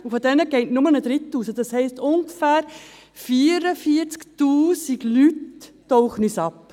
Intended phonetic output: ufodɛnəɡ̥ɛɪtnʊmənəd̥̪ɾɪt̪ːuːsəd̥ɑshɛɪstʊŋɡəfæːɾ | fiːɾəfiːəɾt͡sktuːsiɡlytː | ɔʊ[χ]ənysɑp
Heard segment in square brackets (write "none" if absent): χ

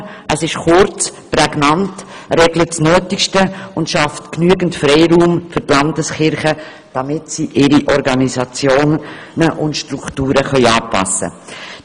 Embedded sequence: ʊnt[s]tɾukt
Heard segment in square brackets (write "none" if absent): ʃ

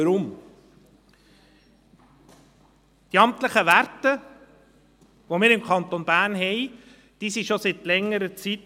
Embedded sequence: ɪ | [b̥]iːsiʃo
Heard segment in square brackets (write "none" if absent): d̥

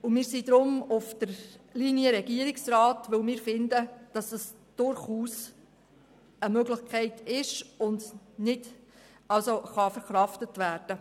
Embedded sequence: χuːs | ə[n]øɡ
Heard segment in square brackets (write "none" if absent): m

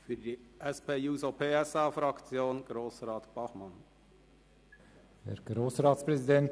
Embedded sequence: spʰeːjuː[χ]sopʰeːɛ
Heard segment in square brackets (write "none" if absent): none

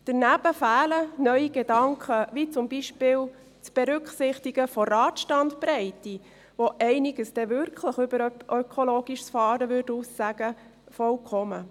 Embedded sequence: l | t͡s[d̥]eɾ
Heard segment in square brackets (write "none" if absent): b̥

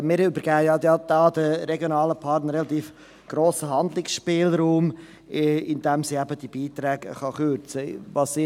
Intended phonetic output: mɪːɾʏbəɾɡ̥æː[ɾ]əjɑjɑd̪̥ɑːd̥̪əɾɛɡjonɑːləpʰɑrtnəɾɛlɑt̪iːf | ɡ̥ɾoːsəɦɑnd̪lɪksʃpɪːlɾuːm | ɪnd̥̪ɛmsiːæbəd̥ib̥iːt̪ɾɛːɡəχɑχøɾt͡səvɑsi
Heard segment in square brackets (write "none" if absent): none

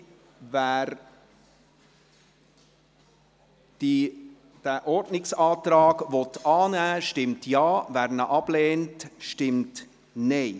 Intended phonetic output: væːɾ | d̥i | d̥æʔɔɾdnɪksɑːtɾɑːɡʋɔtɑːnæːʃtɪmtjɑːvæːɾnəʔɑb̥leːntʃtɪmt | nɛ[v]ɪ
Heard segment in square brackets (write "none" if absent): none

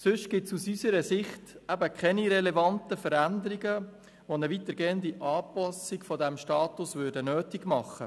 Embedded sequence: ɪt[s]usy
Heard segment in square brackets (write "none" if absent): s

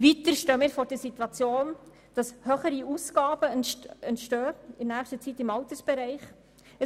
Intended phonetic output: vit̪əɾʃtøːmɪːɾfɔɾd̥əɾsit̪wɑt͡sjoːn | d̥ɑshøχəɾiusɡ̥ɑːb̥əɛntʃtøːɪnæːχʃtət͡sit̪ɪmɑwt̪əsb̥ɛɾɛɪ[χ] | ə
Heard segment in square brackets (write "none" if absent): χ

